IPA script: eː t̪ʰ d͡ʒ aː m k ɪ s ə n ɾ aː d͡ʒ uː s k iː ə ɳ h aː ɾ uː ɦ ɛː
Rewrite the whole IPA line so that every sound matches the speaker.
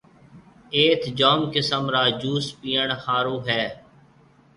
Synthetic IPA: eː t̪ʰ d͡ʒ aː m k ɪ s ə m ɾ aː d͡ʒ uː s p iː ə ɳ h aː ɾ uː ɦ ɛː